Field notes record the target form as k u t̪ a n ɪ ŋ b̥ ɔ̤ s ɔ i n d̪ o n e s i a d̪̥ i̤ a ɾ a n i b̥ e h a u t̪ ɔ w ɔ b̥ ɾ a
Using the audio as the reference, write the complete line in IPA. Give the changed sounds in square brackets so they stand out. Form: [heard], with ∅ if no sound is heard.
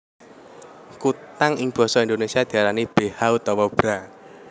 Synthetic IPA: k u t̪ a [ŋ] ɪ ŋ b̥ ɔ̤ s ɔ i n d̪ o n e s i a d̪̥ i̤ a ɾ a n i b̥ e h a u t̪ ɔ w ɔ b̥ ɾ a